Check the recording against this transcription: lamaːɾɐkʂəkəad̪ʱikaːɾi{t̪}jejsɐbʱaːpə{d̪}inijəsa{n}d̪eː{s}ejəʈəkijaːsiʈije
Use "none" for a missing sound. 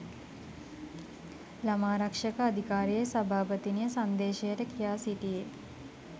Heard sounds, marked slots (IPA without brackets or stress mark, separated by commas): none, t̪, n, ʃ